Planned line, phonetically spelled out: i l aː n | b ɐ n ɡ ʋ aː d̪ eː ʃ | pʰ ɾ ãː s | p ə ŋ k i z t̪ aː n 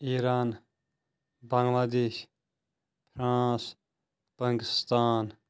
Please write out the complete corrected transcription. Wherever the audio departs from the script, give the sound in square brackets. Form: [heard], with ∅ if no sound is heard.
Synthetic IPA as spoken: i [ɾ] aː n | b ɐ [ŋ] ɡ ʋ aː d̪ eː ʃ | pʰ ɾ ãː s | p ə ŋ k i [s] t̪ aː n